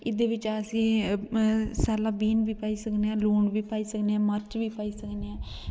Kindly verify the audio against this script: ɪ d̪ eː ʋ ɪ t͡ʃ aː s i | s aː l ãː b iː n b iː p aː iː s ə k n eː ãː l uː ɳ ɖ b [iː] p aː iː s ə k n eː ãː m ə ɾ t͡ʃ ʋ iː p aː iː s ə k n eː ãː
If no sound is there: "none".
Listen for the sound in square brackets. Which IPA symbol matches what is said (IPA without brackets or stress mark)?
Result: iː